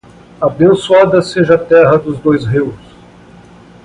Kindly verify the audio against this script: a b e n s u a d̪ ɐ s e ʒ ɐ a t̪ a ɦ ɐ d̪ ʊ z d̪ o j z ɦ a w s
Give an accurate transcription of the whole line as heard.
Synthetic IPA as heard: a b ẽ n s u a d̪ ɐ s e ʒ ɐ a t̪ ɛ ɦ ɐ d̪ ʊ z d̪ o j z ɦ i w s